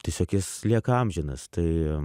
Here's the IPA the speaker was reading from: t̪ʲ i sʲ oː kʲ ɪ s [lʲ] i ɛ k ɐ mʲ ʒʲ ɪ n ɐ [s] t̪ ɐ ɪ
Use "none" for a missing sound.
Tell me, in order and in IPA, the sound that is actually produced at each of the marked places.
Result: lʲ, s

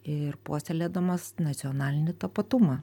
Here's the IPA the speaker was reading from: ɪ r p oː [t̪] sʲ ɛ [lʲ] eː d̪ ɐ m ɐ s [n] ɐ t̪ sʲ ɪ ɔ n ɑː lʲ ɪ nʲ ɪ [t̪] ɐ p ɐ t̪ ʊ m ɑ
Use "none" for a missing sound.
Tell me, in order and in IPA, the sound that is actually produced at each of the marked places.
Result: none, lʲ, n, t̪

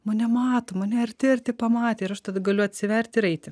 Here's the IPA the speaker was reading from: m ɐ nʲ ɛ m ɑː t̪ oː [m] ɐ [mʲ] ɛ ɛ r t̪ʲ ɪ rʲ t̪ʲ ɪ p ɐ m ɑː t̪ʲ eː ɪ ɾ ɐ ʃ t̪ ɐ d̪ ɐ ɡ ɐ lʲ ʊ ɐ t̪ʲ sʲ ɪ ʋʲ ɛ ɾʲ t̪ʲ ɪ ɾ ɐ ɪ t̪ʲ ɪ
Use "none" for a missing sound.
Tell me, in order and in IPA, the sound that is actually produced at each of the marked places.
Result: m, nʲ

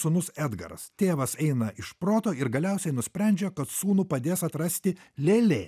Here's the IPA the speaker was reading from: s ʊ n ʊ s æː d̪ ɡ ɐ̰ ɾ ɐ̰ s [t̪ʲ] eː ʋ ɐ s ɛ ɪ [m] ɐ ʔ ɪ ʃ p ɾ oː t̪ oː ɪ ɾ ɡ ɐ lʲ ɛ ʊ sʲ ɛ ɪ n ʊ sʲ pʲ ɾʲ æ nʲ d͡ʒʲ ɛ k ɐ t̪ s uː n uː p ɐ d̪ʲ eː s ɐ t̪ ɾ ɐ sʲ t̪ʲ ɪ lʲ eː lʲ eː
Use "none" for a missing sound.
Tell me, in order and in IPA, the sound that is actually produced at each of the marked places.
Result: t̪ʲ, n

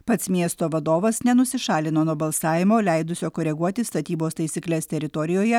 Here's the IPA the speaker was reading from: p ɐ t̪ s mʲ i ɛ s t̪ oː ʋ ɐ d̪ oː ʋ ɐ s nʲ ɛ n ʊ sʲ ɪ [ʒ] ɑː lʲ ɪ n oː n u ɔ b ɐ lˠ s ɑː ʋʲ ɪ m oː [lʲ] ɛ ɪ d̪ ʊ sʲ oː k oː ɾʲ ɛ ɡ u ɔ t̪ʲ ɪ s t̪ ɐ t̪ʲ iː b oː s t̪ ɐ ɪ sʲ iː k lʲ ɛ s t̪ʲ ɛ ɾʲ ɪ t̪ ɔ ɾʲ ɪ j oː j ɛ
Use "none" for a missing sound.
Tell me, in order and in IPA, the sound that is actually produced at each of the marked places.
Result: ʃ, lʲ

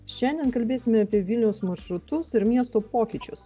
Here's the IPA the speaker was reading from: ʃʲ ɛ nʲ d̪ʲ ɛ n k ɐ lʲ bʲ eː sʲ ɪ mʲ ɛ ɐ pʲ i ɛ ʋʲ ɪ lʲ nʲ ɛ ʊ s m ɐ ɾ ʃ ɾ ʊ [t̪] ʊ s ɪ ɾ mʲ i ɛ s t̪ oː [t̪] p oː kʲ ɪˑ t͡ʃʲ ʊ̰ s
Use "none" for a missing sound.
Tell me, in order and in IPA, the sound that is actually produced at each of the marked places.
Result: t̪, none

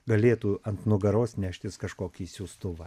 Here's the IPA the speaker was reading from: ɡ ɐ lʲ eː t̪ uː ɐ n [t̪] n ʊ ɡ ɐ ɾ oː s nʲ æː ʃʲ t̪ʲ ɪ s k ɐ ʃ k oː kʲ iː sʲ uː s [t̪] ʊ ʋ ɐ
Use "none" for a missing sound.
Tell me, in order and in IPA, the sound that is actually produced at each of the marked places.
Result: t̪, t̪

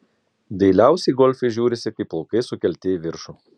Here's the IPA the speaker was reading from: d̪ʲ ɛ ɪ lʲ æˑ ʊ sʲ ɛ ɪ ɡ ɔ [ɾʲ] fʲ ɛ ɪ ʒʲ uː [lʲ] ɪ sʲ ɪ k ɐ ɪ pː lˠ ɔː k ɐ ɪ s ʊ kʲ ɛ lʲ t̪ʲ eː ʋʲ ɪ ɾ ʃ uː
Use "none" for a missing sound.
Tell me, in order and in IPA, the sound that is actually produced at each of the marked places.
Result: lʲ, ɾʲ

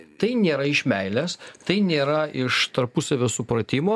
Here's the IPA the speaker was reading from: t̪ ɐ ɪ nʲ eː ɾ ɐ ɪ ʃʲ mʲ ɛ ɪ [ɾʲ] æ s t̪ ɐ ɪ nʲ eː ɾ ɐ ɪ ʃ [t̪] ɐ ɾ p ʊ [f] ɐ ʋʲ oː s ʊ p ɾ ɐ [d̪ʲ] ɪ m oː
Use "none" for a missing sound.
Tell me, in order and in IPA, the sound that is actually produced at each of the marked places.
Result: lʲ, t̪, s, t̪ʲ

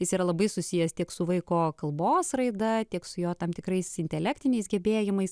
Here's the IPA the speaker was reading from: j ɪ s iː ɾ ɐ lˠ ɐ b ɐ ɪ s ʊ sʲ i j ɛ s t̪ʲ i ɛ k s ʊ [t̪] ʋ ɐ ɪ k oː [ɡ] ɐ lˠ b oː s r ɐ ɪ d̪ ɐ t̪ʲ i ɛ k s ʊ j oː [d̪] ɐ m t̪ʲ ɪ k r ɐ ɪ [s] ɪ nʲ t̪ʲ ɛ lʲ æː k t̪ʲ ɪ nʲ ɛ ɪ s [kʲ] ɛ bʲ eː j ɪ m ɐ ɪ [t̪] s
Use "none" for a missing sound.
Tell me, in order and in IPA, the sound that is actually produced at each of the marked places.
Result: none, k, t̪, s, ɡʲ, none

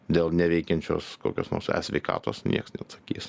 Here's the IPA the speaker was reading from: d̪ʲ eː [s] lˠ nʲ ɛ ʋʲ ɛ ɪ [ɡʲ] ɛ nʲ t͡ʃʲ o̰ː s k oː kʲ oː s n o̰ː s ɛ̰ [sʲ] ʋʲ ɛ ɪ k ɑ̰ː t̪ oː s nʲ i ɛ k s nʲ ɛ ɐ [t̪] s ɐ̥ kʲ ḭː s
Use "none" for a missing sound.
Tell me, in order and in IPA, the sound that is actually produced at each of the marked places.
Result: none, kʲ, sʲ, t̪

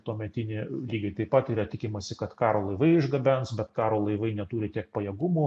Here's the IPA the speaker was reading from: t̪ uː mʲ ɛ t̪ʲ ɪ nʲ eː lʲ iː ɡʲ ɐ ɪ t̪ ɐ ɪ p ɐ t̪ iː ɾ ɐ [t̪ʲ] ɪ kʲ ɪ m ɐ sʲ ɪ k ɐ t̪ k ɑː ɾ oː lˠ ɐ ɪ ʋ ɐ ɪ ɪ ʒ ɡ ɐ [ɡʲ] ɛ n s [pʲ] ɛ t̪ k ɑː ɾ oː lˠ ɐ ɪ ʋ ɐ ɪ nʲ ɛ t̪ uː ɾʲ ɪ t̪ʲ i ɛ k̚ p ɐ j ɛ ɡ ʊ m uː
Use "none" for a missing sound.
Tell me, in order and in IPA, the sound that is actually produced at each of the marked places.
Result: t̪ʲ, bʲ, bʲ

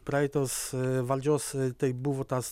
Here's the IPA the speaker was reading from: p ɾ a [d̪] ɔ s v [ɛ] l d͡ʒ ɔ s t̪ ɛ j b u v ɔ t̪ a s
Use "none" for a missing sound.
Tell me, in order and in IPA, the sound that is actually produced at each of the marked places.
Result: t̪, a

